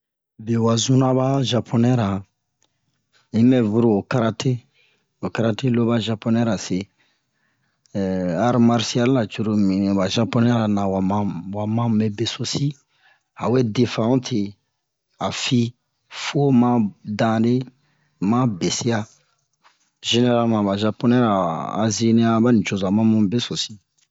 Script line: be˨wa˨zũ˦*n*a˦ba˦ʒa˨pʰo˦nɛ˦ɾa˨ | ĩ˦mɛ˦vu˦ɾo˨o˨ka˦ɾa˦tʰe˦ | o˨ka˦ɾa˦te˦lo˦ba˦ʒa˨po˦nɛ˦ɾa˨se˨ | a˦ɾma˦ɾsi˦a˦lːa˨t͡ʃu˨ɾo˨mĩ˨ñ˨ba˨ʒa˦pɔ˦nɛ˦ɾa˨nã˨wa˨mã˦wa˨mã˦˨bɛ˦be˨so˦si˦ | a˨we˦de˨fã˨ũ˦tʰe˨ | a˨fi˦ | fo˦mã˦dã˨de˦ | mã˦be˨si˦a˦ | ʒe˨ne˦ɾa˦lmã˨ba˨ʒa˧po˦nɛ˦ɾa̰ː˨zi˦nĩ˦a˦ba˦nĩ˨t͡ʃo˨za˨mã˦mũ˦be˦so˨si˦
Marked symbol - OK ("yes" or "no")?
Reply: yes